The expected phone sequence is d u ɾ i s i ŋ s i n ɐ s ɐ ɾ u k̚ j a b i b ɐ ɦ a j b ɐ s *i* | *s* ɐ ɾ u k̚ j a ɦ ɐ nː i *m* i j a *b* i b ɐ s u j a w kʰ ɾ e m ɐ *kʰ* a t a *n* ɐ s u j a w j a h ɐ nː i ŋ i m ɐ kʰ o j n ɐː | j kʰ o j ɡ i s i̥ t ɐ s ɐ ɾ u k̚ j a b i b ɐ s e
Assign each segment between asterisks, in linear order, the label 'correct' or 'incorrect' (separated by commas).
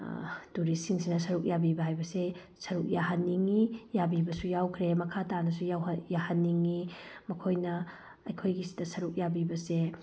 incorrect, correct, incorrect, correct, correct, correct